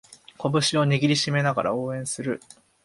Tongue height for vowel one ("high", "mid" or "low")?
mid